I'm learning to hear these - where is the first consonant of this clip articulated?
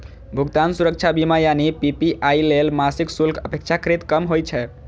lips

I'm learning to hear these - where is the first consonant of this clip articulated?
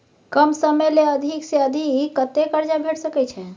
velum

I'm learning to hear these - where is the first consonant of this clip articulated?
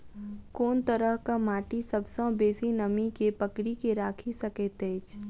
velum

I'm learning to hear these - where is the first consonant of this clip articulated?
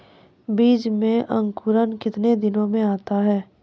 lips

